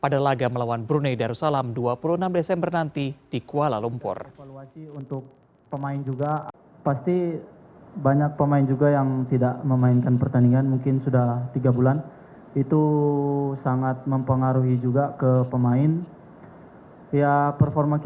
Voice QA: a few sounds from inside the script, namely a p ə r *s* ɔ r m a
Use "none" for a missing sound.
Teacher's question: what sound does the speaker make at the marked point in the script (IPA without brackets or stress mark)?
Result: f